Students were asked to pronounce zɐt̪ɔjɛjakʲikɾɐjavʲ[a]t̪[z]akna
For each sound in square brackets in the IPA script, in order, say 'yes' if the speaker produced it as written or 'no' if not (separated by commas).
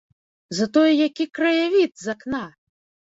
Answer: no, yes